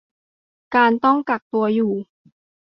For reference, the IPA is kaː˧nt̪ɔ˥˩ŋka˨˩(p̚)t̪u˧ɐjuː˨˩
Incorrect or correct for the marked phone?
incorrect: k̚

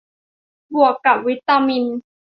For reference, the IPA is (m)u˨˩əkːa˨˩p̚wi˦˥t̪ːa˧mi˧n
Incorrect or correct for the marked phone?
incorrect: b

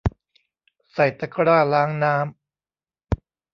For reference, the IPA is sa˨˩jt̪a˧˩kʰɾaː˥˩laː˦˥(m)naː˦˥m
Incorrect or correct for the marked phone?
incorrect: ŋ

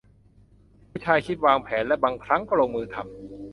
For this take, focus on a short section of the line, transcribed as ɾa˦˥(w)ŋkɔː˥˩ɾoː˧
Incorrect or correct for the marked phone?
incorrect: none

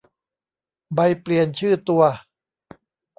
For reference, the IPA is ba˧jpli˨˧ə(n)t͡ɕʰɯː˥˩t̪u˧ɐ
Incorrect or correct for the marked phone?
correct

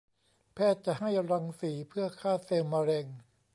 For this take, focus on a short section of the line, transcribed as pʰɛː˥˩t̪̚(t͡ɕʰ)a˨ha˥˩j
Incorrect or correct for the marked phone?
incorrect: t͡ɕ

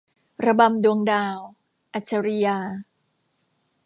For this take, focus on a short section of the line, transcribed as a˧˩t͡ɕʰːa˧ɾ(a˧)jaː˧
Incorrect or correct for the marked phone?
incorrect: i˧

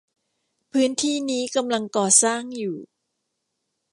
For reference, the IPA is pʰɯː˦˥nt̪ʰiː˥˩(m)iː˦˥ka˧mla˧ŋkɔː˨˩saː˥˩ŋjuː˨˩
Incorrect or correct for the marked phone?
incorrect: n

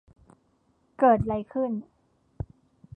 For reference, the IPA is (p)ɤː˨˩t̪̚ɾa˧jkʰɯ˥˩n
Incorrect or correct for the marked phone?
incorrect: k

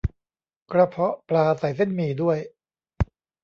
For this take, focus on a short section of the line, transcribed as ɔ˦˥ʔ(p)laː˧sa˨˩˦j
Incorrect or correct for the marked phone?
correct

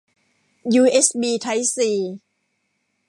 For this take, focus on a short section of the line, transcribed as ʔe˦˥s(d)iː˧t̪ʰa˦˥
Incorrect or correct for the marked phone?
incorrect: b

